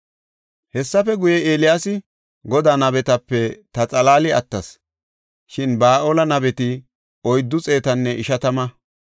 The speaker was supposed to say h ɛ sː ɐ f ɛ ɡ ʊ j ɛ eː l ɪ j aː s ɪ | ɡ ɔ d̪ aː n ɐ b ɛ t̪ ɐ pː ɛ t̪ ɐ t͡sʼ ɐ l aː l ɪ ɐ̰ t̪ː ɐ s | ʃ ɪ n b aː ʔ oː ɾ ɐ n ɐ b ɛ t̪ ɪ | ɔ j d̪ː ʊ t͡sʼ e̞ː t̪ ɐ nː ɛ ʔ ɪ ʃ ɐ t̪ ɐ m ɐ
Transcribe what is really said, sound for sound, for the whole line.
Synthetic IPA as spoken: h ɛ sː ɐ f ɛ ɡ ʊ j ɛ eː l ɪ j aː s ɪ | ɡ ɔ d̪ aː n ɐ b ɛ t̪ ɐ pː ɛ t̪ ɐ t͡sʼ ɐ l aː l ɪ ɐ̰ t̪ː ɐ s | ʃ ɪ n b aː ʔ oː l ɐ n ɐ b ɛ t̪ ɪ | ɔ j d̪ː ʊ t͡sʼ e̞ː t̪ ɐ nː ɛ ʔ ɪ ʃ ɐ t̪ ɐ m ɐ